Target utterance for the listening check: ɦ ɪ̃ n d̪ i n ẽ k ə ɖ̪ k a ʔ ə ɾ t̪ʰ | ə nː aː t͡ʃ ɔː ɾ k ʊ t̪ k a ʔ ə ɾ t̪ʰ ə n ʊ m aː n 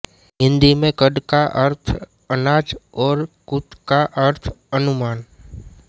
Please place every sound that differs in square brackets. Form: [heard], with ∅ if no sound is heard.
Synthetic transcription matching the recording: ɦ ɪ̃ n d̪ i [m] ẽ k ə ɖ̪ k a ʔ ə ɾ t̪ʰ | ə [n] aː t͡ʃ ɔː ɾ k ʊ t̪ k a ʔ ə ɾ t̪ʰ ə n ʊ m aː n